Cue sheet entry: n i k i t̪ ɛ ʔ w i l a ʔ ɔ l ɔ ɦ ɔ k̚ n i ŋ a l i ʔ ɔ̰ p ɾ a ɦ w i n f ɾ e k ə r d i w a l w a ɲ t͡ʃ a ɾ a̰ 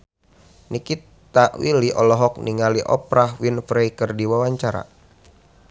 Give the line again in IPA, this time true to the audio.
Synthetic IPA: n i k i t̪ a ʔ w i l i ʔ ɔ l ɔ ɦ ɔ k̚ n i ŋ a l i ʔ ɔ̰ p ɾ a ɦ w i n f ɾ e k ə r d i w a w a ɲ t͡ʃ a ɾ a̰

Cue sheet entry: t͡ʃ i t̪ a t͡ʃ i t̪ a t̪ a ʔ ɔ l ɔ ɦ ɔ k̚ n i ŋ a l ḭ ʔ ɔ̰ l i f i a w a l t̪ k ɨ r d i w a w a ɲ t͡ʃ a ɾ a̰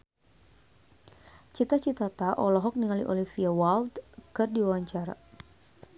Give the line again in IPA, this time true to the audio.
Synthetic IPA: t͡ʃ i t̪ a t͡ʃ i t̪ a t̪ a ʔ ɔ l ɔ ɦ ɔ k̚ n i ŋ a l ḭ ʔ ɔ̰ l i f i a w a l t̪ k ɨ r d i w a w a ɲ t͡ʃ a ɾ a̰

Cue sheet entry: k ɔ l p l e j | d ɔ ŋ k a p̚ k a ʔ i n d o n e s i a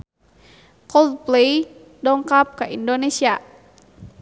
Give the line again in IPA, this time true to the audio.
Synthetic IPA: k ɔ l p l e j | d ɔ ŋ k a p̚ k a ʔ i n d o n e s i a

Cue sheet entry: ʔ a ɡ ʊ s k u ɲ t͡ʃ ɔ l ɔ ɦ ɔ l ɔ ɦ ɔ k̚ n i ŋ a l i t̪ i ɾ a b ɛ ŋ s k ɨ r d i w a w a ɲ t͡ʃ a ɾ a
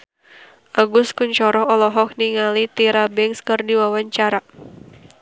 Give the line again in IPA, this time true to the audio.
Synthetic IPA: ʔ a ɡ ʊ s k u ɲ t͡ʃ ɔ ɾ ɔ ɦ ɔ l ɔ ɦ ɔ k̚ n i ŋ a l i t̪ i ɾ a b ɛ ŋ s k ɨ r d i w a w a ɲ t͡ʃ a ɾ a

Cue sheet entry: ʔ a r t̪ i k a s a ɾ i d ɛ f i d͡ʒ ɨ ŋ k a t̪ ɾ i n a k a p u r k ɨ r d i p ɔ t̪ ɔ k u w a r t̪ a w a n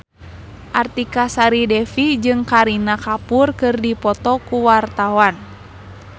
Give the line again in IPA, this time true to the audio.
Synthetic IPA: ʔ a r t̪ i k a s a ɾ i d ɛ f i d͡ʒ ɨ ŋ k a ɾ i n a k a p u r k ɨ r d i p ɔ t̪ ɔ k u w a r t̪ a w a n

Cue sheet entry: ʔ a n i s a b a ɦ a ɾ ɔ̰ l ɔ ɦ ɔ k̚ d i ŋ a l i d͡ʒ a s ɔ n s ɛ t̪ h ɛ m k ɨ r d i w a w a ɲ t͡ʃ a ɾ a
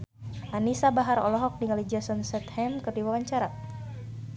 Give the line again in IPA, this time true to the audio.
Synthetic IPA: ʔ a n i s a b a ɦ a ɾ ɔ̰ l ɔ ɦ ɔ k̚ d i ŋ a l i d͡ʒ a s ɔ n s ɛ t̪ h ɛ m k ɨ r d i w a w a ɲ t͡ʃ a ɾ a

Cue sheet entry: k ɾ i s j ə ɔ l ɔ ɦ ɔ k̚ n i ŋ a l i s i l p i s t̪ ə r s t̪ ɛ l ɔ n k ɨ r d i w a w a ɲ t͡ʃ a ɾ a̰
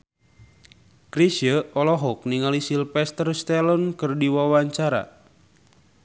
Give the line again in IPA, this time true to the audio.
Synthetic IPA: k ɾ i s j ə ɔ l ɔ ɦ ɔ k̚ n i ŋ a l i s i l p ɛ s t̪ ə r s t̪ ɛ l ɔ n k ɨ r d i w a w a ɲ t͡ʃ a ɾ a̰

